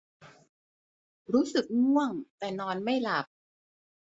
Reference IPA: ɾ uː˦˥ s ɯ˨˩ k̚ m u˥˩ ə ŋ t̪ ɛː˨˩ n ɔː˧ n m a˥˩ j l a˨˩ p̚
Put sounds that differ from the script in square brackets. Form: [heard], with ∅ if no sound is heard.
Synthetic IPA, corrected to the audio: ɾ uː˦˥ s ɯ˨˩ k̚ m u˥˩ ə ŋ t̪ ɛː˨˩ n ɔː˧ n m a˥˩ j l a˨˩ p̚